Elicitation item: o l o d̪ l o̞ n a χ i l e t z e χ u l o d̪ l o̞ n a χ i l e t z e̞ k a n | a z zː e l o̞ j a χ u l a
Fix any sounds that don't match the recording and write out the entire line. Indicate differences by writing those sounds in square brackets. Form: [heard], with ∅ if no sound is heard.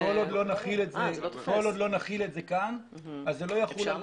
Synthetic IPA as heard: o l o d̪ l o̞ n a χ i l e t z e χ [o] l o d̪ l o̞ n a χ i l e t z e̞ k a n | a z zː e l o̞ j a χ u l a

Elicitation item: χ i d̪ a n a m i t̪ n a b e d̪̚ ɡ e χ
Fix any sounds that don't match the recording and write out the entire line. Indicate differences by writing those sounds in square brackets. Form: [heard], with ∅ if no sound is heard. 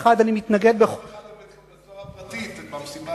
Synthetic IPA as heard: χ [a] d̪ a n [i] m i t̪ n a [ɡ] e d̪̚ [b] e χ

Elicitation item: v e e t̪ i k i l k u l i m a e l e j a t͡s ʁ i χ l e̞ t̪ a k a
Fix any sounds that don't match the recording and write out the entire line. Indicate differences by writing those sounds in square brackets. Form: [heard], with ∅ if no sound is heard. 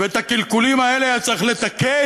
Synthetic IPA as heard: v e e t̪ [a] k i l k u l i m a e l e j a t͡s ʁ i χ l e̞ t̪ a k [e]

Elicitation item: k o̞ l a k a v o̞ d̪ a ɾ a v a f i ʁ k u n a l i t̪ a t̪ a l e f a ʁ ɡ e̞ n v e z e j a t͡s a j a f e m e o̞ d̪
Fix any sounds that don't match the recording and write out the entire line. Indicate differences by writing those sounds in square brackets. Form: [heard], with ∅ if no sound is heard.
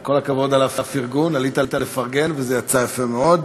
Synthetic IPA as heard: k o̞ l a k a v o̞ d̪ a [l] a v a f i ʁ [ɡ] u n a l i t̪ a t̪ a l e f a ʁ ɡ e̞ n v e z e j a t͡s a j a f e m e o̞ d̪

